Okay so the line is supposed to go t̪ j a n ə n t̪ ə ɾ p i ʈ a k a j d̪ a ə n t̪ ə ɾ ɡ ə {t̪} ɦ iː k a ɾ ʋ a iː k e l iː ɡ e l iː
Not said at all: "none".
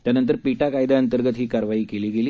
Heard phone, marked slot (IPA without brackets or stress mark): t̪